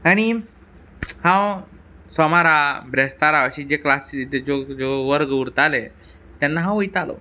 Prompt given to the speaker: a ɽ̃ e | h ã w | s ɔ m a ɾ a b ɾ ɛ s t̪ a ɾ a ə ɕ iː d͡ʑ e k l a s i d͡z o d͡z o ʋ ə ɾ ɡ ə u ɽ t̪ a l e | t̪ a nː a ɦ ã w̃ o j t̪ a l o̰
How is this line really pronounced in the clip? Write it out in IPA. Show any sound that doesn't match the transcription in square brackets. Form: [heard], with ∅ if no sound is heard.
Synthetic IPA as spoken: a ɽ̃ [i] | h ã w | s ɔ m a ɾ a b ɾ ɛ s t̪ a ɾ a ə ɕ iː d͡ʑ e k l a s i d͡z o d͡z o ʋ ə ɾ ɡ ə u [ɾ] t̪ a l e | t̪ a nː a ɦ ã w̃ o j t̪ a l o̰

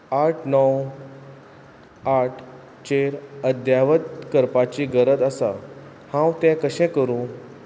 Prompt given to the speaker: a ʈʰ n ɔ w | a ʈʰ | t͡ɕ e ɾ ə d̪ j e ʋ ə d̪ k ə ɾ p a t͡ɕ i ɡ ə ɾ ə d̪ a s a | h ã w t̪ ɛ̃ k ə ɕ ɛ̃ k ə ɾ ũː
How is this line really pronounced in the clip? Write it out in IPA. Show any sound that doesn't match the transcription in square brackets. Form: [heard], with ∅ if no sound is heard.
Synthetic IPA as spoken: a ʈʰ n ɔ w | a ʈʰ | t͡ɕ e ɾ ə d̪ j [a] ʋ ə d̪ k ə ɾ p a t͡ɕ i ɡ ə ɾ ə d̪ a s a | h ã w t̪ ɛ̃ k ə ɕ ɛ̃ k ə ɾ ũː

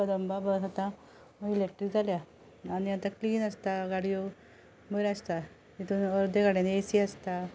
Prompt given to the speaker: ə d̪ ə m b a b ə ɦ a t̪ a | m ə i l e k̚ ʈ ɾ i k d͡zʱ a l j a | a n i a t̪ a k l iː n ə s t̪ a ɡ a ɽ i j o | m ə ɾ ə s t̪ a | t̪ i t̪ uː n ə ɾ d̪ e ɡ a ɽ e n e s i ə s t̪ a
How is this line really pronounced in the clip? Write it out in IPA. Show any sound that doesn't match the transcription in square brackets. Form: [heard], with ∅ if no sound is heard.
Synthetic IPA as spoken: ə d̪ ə m b a b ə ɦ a t̪ a | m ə i l e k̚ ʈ ɾ i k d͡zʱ a l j a | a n i a t̪ a k l iː n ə s t̪ a ɡ a ɽ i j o | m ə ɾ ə s t̪ a | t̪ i t̪ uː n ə ɾ d̪ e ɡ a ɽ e n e s i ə s t̪ a

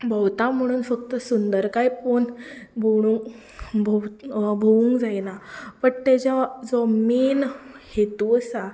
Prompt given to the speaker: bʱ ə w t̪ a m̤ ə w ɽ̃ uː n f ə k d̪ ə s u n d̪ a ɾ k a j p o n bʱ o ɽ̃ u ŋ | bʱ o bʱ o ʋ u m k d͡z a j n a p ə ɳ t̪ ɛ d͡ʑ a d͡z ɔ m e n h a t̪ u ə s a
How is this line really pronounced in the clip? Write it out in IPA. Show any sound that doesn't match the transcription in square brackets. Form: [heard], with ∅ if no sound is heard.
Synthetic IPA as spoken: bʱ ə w t̪ a m̤ ə [∅] ɽ̃ uː n f ə k [t̪] ə s u n d̪ [ə] ɾ k a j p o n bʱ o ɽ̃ u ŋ | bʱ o bʱ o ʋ u [ŋ] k d͡z a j n a p ə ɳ t̪ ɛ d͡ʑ a d͡z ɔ m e n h [e] t̪ u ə s a

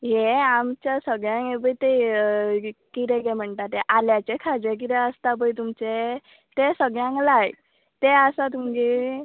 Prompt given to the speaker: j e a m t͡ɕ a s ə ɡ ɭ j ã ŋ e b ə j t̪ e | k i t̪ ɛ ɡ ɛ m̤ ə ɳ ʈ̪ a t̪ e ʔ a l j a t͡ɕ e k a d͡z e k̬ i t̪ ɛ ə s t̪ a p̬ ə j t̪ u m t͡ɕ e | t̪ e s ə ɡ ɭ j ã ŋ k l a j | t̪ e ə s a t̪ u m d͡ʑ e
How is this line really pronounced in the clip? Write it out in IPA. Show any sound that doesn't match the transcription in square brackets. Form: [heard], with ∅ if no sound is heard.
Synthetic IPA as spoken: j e a m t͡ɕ a s ə ɡ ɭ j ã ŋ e b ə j t̪ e | k i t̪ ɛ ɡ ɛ m̤ ə ɳ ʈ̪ a t̪ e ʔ a l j a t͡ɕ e [kʰ] a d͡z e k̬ i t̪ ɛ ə s t̪ a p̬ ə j t̪ u m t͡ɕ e | t̪ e s ə ɡ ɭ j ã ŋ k l a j | t̪ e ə s a t̪ u m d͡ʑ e

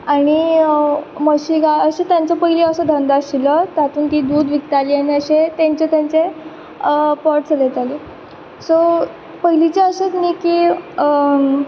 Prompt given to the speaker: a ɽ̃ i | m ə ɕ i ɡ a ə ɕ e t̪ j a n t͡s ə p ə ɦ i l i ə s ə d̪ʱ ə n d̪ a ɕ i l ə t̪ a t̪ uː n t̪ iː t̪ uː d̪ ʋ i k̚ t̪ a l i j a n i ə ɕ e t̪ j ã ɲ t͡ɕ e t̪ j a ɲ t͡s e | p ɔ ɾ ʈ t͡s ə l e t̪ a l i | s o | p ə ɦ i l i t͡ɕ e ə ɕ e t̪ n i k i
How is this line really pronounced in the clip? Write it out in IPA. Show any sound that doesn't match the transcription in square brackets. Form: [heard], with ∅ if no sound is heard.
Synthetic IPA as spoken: a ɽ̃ i | m ə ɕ i ɡ a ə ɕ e t̪ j a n t͡s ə p ə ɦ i l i ə s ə d̪ʱ ə n d̪ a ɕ i l ə t̪ a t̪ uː n t̪ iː [d̪] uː d̪ ʋ i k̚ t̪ a l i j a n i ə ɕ e t̪ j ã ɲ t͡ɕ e t̪ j a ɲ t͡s e | p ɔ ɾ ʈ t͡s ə l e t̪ a l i | s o | p ə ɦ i l i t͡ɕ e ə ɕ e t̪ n i k i

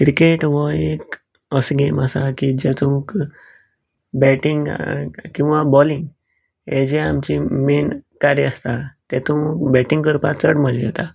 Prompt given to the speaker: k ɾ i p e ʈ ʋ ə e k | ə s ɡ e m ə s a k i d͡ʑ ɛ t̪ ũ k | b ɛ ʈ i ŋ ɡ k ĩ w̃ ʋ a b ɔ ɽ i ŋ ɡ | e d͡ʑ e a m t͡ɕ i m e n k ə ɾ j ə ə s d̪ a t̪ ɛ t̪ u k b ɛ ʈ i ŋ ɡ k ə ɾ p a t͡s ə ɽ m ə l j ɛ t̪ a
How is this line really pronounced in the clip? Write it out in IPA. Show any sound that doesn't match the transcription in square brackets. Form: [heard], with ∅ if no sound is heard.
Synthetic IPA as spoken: k ɾ i [k] e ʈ ʋ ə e k | ə s ɡ e m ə s a k i d͡ʑ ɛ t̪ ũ k | b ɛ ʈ i ŋ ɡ k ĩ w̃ ʋ a b ɔ [l] i ŋ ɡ | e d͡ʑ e a m t͡ɕ i m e n k [a] ɾ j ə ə s [t̪] a t̪ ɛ t̪ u k b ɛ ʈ i ŋ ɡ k ə ɾ p a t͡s ə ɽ m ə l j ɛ t̪ a

